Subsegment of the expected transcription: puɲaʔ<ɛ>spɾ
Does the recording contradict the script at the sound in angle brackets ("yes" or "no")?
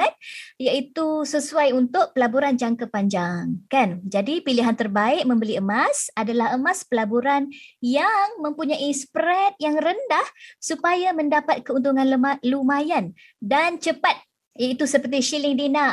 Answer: yes